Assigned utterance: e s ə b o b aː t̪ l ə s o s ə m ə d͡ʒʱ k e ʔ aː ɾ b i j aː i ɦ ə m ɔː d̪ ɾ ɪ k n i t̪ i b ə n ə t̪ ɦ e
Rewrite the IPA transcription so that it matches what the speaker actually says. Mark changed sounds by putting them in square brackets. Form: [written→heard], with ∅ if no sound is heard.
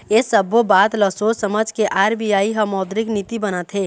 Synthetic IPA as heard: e s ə b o b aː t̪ l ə s o s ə m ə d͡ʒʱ k e ʔ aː ɾ b i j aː i ɦ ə m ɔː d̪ ɾ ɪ k n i t̪ i b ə n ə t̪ ɦ e